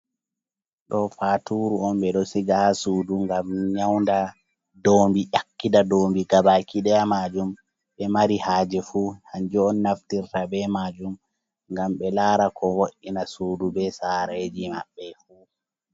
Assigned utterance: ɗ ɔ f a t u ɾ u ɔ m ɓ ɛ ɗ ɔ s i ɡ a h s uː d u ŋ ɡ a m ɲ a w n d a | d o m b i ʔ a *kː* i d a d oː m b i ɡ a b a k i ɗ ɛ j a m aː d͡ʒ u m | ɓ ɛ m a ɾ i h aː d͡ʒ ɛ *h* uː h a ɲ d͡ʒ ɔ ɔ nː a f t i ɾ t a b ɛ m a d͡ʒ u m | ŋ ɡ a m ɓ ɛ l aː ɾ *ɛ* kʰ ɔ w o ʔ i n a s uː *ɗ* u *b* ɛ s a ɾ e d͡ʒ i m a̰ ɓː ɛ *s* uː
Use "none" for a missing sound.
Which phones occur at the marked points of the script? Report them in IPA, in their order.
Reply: kː, f, a, d, b, f

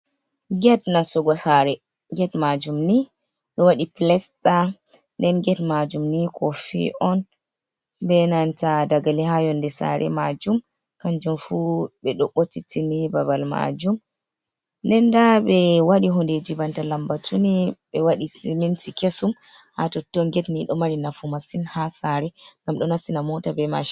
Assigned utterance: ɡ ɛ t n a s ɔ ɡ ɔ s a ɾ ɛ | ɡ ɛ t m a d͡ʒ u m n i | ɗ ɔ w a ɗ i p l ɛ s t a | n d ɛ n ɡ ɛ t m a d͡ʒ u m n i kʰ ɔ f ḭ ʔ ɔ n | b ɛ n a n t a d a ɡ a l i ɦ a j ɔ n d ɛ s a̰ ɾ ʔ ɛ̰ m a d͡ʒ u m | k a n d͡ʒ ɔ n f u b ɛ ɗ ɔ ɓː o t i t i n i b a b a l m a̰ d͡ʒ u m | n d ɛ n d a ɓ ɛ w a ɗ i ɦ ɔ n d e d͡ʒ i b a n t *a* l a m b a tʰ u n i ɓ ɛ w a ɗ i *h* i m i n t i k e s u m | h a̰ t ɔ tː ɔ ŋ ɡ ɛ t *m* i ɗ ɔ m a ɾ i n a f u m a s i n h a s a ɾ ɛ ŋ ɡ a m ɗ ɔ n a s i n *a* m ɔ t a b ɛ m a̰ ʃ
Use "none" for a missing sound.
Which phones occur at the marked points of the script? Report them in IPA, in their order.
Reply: a, s, n, a

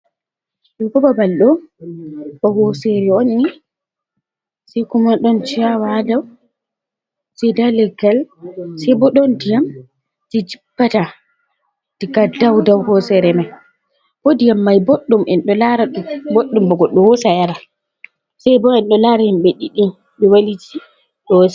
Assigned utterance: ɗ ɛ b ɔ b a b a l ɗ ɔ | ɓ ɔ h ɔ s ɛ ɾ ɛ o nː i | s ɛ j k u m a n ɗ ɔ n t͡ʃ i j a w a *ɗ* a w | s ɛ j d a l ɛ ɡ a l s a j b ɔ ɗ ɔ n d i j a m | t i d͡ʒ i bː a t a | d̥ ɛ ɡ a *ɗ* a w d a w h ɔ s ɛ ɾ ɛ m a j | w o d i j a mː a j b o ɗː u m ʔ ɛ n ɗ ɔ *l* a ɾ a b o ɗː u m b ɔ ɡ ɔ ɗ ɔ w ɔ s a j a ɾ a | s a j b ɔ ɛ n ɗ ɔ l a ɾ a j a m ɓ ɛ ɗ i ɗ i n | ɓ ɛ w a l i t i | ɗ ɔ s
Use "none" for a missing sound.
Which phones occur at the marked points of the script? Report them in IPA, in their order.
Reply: d, d, l

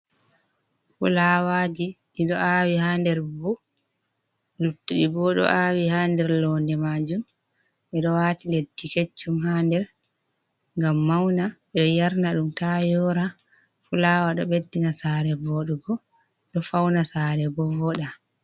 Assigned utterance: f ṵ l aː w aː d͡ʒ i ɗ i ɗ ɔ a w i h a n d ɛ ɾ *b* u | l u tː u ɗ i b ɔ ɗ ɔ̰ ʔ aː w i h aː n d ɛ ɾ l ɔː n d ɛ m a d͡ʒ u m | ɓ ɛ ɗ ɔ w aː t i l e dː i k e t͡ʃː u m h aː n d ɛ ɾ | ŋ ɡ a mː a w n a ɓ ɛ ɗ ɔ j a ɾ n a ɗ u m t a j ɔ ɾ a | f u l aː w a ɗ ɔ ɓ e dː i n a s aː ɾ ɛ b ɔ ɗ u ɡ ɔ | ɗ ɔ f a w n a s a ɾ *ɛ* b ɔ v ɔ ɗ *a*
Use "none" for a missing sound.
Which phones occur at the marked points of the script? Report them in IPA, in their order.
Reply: b, ɛ, a

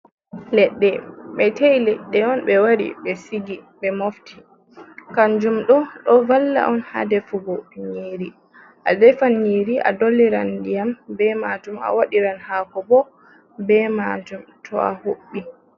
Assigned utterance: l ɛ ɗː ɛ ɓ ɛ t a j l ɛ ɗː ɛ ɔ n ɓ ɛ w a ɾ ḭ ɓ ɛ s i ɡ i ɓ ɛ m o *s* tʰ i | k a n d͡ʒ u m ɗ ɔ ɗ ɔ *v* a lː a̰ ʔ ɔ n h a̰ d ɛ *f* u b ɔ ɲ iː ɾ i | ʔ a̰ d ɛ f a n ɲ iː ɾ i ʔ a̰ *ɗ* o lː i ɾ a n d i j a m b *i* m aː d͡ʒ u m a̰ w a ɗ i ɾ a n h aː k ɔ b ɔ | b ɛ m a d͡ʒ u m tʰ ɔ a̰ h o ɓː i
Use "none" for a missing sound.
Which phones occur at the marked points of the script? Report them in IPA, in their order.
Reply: f, v, f, d, ɛ

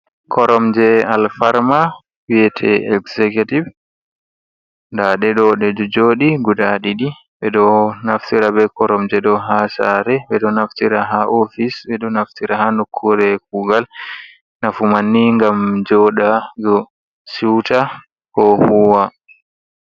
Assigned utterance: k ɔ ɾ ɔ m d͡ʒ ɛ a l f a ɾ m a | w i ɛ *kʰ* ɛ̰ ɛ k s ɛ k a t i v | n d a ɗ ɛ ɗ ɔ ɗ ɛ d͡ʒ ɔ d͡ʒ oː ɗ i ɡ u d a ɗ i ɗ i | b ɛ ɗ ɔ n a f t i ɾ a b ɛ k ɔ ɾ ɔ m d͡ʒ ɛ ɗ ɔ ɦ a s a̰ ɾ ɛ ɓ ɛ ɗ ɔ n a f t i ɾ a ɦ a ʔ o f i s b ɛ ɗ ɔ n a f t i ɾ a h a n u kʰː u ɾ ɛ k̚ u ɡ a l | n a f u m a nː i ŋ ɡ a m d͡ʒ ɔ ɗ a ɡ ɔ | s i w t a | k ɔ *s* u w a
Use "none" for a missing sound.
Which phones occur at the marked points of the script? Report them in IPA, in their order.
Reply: tʰ, h

